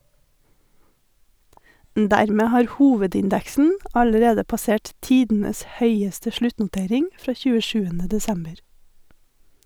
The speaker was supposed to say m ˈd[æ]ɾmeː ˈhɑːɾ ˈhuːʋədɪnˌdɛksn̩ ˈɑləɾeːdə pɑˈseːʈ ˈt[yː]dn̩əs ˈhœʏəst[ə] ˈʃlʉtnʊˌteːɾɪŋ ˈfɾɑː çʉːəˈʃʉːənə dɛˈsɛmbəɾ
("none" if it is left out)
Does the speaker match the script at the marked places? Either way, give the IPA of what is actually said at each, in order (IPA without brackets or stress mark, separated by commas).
æ, iː, ə